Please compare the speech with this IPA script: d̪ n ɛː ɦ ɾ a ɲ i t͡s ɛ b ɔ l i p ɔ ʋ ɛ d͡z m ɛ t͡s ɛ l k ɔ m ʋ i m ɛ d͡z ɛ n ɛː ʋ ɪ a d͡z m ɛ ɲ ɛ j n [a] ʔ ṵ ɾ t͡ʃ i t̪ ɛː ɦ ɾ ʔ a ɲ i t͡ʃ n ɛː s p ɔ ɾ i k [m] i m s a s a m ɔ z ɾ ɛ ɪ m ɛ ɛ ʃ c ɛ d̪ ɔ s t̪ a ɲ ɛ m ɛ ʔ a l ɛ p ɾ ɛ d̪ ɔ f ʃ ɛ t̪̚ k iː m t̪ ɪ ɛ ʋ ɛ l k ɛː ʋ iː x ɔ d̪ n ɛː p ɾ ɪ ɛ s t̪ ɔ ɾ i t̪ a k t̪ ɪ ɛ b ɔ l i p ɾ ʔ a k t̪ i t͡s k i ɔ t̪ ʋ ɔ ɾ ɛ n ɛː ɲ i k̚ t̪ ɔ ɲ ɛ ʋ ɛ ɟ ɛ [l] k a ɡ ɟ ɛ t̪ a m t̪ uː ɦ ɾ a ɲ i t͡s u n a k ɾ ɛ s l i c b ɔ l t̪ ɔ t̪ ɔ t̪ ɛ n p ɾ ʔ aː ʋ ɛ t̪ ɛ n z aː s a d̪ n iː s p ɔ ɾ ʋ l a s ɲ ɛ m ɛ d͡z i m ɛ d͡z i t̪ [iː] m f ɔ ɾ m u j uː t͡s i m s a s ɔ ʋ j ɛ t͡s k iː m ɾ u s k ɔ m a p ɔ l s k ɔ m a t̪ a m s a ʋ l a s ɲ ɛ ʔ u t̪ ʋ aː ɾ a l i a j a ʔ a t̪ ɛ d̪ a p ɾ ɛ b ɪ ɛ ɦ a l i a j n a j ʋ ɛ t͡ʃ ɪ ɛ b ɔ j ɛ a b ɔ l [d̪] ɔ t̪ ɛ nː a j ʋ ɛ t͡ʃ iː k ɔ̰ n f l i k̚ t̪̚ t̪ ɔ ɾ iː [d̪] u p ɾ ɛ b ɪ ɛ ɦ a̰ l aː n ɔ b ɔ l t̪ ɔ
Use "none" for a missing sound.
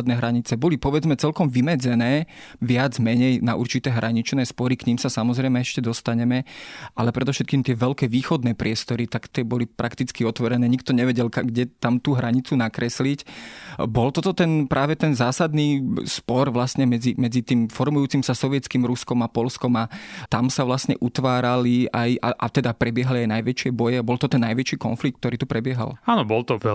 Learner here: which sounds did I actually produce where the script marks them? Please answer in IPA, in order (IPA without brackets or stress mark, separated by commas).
a, ɲ, l, iː, t̪, t̪